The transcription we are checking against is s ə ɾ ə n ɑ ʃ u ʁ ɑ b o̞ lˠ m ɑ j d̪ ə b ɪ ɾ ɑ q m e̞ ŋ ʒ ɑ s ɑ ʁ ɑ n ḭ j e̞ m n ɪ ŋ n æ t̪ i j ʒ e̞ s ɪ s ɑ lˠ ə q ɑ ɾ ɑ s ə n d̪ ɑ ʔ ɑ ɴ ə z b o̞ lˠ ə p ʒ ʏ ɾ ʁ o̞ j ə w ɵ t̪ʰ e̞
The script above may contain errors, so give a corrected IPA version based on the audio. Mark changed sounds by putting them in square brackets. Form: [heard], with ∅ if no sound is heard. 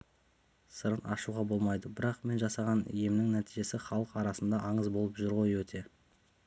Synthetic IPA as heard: s ə ɾ ə n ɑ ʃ u ʁ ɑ b o̞ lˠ m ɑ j d̪ ə b ɪ ɾ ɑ q m e̞ [n] ʒ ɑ s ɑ ʁ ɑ n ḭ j e̞ m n ɪ ŋ n æ t̪ i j ʒ e̞ s ɪ [χ] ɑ lˠ ə q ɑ ɾ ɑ s ə n d̪ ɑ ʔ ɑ ɴ ə z b o̞ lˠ ə p ʒ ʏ ɾ ʁ o̞ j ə w ɵ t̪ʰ e̞